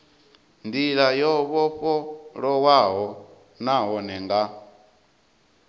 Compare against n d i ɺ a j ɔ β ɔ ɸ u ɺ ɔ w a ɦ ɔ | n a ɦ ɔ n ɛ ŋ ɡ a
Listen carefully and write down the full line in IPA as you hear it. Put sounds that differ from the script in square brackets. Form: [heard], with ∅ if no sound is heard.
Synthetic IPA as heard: n d i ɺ a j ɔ β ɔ ɸ [ɔ] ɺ ɔ w a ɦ ɔ | n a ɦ ɔ n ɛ ŋ ɡ a